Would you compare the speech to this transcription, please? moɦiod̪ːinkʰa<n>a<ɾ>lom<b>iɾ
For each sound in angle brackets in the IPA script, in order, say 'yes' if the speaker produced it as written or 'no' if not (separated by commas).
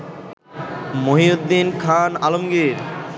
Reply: yes, no, no